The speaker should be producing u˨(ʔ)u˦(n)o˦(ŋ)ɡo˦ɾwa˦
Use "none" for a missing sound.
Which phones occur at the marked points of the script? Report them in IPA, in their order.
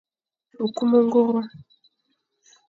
k, m, ŋ

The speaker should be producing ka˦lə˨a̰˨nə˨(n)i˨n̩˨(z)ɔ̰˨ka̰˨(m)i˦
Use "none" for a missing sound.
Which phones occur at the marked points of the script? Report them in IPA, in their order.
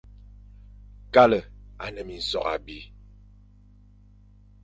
m, s, b

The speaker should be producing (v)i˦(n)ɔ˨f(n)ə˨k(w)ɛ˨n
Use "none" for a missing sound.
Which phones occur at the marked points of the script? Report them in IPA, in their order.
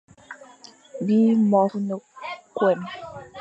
b, m, n, w

